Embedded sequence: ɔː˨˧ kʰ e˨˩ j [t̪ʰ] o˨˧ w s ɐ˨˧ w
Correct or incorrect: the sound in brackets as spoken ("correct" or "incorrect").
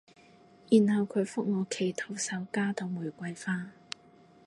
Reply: correct